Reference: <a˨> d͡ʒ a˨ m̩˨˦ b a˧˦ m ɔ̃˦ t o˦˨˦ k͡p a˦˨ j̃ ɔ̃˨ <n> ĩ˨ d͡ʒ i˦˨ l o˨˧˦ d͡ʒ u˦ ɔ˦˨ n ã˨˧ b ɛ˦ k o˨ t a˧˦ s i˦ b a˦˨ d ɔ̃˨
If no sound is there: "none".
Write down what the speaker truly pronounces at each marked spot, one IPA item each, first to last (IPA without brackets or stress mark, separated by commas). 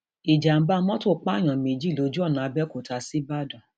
i˨, m